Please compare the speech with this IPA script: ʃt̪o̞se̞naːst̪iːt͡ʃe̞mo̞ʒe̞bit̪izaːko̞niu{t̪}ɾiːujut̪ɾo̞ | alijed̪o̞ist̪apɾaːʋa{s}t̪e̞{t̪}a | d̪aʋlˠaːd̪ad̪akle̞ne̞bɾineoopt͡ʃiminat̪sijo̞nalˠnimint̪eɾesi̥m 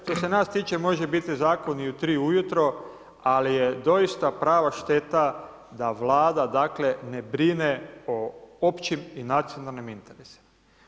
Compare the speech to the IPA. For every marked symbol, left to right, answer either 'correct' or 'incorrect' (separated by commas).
correct, incorrect, correct